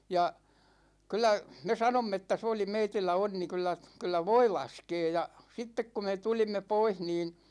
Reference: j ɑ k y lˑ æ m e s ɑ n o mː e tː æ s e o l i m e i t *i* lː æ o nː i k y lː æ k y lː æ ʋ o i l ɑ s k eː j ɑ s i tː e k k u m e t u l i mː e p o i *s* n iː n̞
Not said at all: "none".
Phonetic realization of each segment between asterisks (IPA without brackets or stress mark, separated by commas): i, h